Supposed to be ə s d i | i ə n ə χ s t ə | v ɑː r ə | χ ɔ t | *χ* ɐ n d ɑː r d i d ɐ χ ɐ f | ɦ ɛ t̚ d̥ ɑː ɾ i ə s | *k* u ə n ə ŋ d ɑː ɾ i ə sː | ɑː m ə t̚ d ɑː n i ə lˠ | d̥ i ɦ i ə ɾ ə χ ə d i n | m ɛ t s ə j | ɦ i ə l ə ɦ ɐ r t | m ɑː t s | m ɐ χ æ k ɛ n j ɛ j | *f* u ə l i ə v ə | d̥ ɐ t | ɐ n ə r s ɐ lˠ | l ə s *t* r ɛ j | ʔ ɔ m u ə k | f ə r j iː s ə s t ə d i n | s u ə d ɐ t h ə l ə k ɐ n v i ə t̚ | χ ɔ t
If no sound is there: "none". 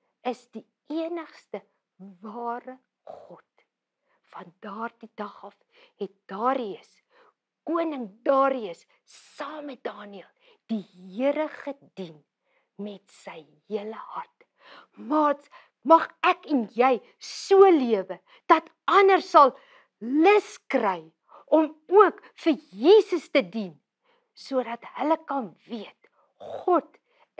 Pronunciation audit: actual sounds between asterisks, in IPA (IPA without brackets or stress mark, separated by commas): f, k, s, k